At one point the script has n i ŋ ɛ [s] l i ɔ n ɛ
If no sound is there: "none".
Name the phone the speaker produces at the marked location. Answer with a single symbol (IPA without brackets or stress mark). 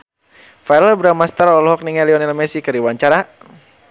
none